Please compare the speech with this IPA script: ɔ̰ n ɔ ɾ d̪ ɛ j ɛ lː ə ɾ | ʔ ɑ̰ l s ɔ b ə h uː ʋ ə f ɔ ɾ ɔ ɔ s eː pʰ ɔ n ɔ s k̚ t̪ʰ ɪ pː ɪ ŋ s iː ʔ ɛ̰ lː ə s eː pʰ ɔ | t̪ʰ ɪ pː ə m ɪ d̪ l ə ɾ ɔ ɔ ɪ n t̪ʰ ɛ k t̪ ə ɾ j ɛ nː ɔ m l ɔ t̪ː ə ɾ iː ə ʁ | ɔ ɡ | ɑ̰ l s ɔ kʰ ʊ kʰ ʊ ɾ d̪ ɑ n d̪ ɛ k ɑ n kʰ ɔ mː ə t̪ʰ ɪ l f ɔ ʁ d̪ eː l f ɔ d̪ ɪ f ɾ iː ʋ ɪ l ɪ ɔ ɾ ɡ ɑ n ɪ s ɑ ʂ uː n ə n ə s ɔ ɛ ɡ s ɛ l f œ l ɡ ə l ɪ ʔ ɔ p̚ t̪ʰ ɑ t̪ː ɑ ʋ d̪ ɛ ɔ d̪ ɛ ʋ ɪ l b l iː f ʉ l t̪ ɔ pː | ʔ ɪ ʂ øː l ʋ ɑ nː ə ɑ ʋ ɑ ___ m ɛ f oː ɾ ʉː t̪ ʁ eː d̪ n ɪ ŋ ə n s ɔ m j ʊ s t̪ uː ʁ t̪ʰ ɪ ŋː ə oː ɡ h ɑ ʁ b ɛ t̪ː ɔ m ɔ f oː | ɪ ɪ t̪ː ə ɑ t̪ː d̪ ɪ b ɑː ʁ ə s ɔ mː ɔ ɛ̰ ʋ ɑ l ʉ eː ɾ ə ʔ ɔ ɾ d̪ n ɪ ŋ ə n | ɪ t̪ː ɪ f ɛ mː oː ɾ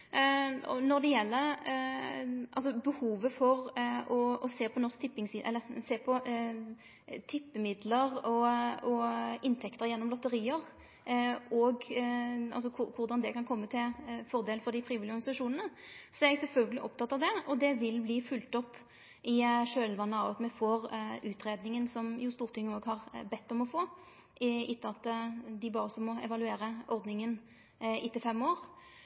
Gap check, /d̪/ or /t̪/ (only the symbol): t̪